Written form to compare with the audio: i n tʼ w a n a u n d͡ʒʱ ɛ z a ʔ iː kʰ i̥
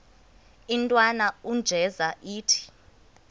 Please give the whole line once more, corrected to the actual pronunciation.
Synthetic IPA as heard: i n tʼ w a n a u n d͡ʒʱ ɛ z a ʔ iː tʰ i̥